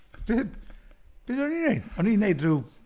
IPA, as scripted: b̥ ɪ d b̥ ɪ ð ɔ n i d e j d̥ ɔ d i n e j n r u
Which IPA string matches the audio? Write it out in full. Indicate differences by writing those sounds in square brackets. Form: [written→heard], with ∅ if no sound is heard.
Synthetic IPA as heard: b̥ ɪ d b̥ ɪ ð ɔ n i [d→n] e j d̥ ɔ [d→n] i n e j [n→d] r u